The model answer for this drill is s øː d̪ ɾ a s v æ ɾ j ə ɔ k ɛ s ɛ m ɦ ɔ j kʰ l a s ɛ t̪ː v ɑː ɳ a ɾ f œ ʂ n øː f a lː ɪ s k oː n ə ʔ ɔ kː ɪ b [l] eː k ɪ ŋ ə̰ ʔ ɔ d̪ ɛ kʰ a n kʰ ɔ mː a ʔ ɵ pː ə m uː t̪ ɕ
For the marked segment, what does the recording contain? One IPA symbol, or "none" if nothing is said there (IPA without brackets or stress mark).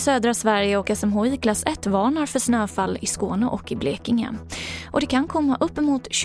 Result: l